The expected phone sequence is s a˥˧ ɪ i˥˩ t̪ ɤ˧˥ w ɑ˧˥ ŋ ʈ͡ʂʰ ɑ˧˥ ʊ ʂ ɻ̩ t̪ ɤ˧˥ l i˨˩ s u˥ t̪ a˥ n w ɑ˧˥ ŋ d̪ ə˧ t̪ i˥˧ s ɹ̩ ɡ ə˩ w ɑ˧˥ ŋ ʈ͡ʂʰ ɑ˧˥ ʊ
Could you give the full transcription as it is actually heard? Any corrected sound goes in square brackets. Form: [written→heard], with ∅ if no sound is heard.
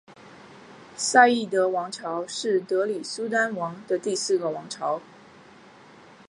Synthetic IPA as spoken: s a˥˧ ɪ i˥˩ t̪ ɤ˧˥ w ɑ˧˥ ŋ ʈ͡ʂʰ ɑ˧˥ ʊ ʂ ɻ̩ t̪ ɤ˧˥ l i˨˩ s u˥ t̪ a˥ n w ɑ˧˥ ŋ d̪ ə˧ t̪ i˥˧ s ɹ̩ ɡ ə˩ w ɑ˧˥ ŋ ʈ͡ʂʰ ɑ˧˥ ʊ